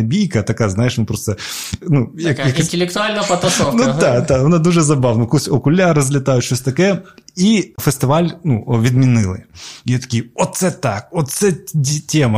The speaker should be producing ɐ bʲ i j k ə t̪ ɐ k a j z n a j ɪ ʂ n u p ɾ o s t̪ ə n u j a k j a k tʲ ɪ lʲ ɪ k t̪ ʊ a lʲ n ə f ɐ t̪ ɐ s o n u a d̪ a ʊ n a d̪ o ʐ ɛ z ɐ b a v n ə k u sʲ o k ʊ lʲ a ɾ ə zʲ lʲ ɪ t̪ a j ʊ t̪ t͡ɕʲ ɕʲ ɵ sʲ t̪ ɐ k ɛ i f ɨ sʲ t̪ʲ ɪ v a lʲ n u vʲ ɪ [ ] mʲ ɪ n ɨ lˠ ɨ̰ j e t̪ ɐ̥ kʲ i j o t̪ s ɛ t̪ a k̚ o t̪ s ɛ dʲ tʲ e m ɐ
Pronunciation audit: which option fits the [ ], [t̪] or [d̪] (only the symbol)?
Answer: d̪